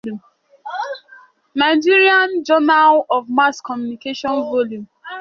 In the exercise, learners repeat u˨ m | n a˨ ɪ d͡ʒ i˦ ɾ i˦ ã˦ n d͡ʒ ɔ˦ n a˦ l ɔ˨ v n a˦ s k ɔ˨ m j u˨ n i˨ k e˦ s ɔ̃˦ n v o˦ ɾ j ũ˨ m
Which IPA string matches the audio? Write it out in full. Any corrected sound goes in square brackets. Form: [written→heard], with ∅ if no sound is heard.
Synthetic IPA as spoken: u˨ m | n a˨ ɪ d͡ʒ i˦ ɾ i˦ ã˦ n d͡ʒ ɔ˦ n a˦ l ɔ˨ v [n→m] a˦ s k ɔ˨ m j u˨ n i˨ k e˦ [s→ʃ] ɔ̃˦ n v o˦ [ɾ→l] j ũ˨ m

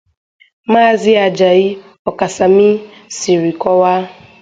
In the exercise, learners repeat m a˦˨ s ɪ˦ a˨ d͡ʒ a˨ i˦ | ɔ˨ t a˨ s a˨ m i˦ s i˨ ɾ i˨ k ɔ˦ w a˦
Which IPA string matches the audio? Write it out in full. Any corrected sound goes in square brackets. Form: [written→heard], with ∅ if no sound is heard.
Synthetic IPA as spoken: m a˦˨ [s→z] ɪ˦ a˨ d͡ʒ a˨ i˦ | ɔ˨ [t→k] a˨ s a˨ m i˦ s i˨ ɾ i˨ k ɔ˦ w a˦

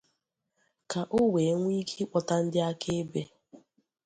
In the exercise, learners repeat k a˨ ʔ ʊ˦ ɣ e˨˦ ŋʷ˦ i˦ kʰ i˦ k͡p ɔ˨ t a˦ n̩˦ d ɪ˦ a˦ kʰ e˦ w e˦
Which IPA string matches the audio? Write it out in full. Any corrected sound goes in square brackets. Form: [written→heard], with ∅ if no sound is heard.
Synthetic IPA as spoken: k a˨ ʔ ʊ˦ [ɣ→w] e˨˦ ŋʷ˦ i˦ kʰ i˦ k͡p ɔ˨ t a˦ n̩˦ d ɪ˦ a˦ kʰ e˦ [w→b] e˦

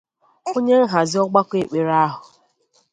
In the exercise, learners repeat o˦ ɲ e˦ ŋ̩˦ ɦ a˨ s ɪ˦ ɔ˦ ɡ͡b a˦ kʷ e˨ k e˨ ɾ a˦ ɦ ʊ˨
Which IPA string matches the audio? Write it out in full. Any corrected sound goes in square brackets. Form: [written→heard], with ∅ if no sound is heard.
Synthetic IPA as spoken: o˦ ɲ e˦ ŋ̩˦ ɦ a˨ [s→z] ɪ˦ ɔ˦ ɡ͡b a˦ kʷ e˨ [k→k͡p] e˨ ɾ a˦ ɦ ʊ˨

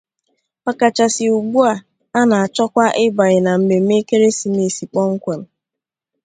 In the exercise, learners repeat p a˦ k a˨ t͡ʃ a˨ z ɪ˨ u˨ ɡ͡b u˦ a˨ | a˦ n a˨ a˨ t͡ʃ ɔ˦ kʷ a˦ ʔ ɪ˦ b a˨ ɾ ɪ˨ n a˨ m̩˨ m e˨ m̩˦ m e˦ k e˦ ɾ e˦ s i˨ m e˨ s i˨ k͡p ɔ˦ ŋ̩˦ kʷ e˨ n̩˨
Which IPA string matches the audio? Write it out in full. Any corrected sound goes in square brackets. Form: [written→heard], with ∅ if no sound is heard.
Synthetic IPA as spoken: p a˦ k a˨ t͡ʃ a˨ [z→s] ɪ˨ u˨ ɡ͡b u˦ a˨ | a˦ n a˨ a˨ t͡ʃ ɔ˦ kʷ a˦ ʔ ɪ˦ b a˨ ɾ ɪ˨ n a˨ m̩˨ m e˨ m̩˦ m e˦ k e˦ ɾ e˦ s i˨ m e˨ s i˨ k͡p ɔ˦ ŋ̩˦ kʷ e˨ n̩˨

